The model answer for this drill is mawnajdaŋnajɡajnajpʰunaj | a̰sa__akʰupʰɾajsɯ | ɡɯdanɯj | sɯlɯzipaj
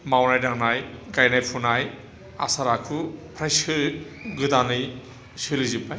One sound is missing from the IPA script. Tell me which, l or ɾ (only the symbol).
ɾ